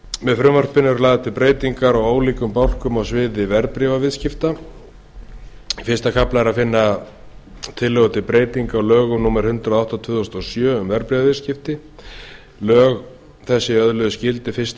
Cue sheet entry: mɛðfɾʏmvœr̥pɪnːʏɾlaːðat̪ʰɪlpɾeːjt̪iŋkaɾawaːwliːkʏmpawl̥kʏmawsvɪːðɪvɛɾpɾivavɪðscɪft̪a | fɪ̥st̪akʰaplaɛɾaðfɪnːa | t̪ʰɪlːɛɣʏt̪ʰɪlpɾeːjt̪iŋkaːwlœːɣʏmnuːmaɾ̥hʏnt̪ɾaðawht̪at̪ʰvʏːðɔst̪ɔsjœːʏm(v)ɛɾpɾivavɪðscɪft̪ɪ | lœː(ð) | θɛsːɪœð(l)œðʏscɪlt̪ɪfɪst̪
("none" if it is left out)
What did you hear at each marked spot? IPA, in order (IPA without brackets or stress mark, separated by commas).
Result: v, ɣ, l